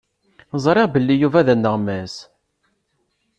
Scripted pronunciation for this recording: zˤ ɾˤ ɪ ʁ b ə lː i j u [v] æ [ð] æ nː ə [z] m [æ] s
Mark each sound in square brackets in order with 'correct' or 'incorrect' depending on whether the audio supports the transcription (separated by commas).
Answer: correct, correct, incorrect, correct